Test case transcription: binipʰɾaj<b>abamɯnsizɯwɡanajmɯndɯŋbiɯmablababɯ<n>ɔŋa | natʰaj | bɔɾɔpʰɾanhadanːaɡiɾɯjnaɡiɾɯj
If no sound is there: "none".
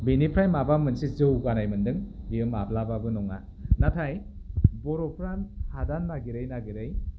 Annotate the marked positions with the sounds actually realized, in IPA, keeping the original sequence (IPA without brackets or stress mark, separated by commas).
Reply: m, n